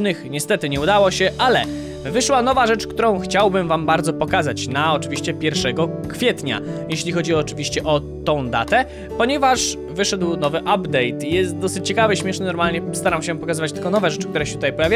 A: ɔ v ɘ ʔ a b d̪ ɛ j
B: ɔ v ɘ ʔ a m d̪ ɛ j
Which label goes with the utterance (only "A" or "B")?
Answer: A